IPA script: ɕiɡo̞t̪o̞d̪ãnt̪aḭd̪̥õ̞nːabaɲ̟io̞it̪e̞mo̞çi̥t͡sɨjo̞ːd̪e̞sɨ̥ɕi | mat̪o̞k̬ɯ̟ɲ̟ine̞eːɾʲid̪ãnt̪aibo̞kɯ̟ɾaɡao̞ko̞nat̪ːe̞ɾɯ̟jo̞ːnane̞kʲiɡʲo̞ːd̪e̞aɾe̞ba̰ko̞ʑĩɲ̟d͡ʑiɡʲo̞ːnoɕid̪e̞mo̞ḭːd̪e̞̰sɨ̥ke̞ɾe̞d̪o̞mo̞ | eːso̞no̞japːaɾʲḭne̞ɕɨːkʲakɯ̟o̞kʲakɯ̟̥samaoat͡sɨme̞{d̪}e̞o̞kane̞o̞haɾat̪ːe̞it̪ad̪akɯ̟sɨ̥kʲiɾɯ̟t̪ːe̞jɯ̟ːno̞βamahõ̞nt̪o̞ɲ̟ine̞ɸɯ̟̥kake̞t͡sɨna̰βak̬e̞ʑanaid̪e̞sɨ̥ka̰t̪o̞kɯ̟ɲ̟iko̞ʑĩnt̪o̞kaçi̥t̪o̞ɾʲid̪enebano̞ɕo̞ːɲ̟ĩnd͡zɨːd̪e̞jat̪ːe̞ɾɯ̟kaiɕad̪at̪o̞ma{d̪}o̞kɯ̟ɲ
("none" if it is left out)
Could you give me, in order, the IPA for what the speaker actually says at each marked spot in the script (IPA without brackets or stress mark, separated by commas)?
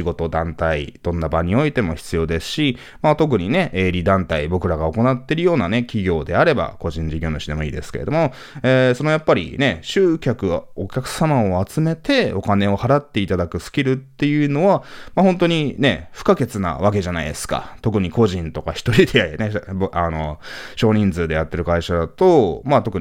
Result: t̪, t̪